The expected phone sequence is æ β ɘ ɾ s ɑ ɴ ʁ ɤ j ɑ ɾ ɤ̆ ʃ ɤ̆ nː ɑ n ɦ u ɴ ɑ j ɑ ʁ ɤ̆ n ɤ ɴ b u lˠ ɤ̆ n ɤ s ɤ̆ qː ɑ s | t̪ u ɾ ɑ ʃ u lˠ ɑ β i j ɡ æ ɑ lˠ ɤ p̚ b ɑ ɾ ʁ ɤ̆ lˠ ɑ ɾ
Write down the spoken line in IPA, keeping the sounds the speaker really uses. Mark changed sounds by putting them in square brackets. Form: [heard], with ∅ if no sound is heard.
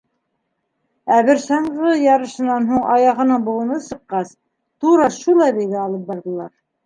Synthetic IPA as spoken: æ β ɘ ɾ s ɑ ɴ ʁ ɤ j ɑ ɾ ɤ̆ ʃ ɤ̆ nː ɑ n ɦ u ɴ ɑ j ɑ ʁ ɤ̆ n ɤ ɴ b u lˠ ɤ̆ n ɤ s ɤ̆ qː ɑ s | t̪ u ɾ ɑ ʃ u lˠ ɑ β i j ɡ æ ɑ lˠ ɤ p̚ b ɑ ɾ [ð] ɤ̆ lˠ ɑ ɾ